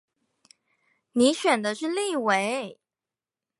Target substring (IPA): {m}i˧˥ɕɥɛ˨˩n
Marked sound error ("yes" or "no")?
yes